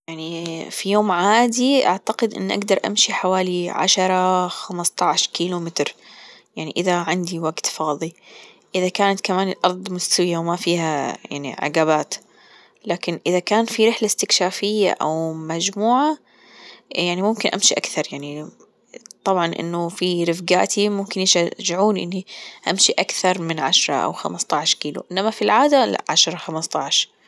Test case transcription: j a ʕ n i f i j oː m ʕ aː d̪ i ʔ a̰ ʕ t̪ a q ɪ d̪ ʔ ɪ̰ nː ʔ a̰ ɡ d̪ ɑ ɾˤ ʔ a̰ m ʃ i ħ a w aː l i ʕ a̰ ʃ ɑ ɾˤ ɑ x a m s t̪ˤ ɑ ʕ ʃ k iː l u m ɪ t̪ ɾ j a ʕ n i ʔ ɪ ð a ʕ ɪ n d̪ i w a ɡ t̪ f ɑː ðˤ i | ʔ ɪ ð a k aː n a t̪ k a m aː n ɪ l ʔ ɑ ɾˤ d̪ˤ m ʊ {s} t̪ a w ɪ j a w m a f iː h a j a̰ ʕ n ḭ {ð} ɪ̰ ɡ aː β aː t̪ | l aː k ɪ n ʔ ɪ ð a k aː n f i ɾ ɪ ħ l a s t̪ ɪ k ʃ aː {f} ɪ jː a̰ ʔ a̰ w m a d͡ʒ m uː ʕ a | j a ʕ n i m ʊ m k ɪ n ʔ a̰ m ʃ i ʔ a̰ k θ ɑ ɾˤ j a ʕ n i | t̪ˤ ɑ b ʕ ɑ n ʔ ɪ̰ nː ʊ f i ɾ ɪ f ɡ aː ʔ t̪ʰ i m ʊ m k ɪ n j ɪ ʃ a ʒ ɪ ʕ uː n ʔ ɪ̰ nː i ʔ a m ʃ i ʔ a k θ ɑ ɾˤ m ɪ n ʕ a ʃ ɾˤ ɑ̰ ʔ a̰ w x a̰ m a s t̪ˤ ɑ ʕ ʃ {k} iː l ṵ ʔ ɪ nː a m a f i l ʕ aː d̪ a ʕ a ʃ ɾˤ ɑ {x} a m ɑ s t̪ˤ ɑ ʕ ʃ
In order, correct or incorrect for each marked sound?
correct, incorrect: ʕ, correct, correct, correct

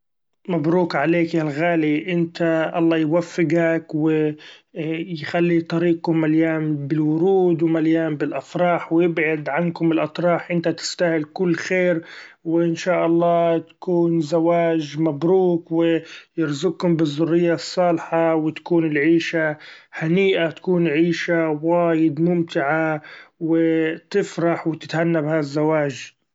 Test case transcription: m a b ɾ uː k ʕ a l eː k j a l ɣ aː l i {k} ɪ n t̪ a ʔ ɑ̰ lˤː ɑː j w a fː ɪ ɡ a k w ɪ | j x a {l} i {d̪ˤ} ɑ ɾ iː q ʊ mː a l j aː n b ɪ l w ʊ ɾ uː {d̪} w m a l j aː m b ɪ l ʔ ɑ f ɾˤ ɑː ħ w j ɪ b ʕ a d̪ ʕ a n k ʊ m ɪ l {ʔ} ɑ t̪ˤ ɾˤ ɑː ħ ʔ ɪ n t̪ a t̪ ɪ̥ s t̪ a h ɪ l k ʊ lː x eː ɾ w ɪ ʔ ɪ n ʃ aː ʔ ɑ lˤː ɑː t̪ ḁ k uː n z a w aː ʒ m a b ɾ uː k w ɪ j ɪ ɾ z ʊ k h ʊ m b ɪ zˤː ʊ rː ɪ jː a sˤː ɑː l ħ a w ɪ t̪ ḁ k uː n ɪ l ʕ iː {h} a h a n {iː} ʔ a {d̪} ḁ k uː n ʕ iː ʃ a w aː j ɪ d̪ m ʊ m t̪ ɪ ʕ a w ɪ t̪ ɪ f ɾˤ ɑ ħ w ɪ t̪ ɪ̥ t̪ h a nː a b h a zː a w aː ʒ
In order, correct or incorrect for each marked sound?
incorrect: ʔ, incorrect: lː, incorrect: t̪ˤ, correct, correct, incorrect: ʃ, correct, incorrect: t̪

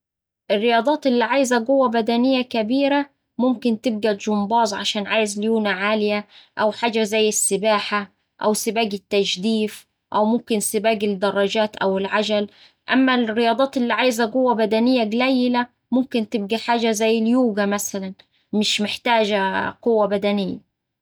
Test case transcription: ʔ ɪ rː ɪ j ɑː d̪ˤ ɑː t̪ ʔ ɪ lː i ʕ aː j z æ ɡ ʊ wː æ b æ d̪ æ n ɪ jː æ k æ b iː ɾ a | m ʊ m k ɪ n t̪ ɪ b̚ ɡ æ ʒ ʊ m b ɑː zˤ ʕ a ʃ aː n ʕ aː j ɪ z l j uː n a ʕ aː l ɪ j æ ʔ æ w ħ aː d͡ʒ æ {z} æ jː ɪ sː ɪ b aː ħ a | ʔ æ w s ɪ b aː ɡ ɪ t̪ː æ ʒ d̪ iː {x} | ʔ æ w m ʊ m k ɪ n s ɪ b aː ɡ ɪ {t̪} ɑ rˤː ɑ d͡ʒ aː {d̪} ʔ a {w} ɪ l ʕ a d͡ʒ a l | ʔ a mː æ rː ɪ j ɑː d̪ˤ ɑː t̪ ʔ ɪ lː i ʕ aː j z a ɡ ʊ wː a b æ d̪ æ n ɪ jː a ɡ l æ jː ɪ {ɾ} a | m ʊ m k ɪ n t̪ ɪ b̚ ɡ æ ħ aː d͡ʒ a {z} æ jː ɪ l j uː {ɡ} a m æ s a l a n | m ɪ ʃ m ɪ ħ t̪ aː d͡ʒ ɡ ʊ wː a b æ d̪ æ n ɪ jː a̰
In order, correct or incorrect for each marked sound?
correct, incorrect: f, incorrect: d̪, incorrect: t̪, correct, incorrect: l, correct, correct

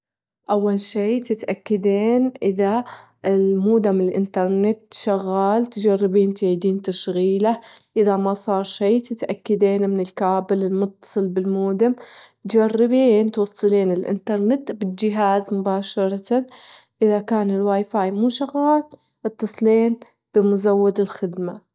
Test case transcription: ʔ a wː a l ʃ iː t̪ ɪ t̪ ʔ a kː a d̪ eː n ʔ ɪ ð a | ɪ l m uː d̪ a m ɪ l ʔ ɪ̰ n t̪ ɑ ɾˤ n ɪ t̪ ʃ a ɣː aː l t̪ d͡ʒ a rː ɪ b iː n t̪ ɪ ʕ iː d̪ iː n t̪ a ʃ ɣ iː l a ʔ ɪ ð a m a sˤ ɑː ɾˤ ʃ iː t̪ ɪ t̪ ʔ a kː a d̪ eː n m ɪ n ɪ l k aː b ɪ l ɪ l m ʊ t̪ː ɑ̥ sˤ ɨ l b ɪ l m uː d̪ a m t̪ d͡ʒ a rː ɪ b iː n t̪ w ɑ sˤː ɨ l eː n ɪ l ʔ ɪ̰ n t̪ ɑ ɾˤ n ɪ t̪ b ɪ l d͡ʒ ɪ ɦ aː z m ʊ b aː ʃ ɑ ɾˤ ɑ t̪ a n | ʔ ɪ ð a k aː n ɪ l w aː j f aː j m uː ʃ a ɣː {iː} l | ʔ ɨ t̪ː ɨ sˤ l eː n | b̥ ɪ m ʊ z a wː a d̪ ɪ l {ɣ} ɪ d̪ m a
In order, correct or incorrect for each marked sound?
incorrect: aː, incorrect: x

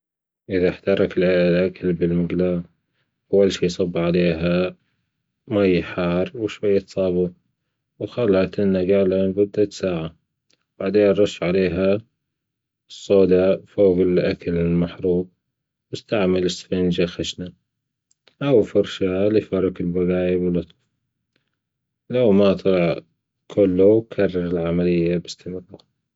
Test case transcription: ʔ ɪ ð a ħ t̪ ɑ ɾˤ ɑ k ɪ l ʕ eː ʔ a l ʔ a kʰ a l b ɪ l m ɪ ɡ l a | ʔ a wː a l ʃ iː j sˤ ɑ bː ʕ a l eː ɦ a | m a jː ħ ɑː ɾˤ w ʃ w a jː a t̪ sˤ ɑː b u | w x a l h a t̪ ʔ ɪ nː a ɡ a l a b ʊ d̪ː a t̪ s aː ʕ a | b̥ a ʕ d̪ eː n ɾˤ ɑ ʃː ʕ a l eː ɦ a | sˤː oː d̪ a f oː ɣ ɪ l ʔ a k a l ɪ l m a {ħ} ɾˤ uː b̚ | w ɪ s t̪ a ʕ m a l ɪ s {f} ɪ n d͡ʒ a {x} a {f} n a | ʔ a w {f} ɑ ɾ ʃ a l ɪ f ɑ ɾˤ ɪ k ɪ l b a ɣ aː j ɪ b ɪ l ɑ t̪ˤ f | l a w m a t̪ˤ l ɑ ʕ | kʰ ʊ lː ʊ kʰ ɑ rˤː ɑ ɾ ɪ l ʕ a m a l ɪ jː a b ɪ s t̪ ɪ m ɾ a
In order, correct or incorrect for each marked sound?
correct, correct, correct, incorrect: ʃ, correct

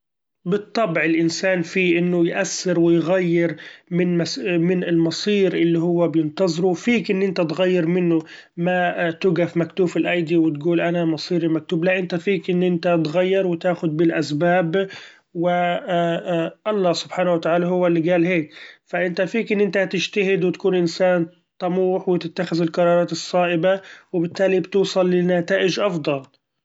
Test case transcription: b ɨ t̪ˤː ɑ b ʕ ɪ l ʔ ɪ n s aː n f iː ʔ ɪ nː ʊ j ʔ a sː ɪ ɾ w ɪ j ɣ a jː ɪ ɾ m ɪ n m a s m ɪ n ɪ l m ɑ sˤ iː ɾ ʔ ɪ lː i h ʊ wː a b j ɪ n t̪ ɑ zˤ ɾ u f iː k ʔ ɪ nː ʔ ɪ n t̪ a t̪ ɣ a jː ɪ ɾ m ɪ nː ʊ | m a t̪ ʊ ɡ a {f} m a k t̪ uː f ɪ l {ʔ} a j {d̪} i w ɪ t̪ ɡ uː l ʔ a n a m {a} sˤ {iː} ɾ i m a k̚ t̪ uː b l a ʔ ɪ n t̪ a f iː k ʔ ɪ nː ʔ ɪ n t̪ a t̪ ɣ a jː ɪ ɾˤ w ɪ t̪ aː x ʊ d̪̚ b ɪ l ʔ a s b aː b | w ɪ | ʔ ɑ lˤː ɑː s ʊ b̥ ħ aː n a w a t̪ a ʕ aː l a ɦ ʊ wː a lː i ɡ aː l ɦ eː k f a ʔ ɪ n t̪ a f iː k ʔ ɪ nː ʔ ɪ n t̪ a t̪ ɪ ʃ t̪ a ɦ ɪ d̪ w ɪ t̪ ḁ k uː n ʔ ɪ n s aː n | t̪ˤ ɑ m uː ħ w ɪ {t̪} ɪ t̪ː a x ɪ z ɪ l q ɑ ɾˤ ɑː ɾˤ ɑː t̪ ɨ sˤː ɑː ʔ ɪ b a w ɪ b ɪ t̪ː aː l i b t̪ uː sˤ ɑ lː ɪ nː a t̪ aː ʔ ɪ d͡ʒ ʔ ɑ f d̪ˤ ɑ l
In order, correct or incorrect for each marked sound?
correct, correct, correct, incorrect: ɑ, correct, correct

